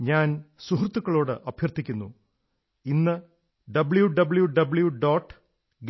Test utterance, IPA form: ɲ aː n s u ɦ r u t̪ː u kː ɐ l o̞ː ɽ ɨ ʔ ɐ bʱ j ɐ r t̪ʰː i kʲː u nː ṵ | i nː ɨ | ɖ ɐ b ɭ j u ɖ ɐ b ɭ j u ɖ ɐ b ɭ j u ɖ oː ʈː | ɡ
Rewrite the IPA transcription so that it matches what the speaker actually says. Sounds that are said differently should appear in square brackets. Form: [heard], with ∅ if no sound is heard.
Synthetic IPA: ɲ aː n s u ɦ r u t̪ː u kː ɐ [ɭ] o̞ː ɽ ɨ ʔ ɐ bʱ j ɐ r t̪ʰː i kʲː u nː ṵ | i nː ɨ | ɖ ɐ b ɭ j u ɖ ɐ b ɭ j u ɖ ɐ b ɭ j u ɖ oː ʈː | ɡ